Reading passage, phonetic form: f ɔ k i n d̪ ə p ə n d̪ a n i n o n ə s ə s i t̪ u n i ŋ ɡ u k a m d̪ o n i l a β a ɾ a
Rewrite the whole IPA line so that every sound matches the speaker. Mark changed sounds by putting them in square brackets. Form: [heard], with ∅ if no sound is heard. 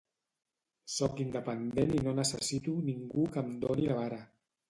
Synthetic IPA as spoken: [s] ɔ k i n d̪ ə p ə n d̪ [e] n i n o n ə s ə s i t̪ u n i ŋ ɡ u k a m d̪ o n i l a β a ɾ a